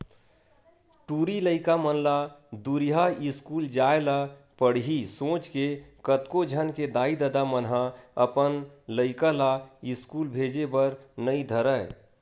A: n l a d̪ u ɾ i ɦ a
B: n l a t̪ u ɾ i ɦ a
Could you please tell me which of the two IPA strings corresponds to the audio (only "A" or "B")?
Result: A